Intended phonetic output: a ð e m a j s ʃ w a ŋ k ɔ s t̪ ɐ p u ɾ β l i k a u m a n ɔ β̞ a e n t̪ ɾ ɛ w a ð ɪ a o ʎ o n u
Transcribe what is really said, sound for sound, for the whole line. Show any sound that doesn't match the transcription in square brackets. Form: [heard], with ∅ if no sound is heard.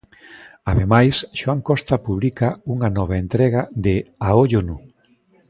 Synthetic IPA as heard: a ð e m a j s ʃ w a ŋ k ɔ s t̪ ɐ p u [∅] β l i k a u [ŋ] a n ɔ β̞ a e n t̪ ɾ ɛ [ɣ] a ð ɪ a o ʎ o n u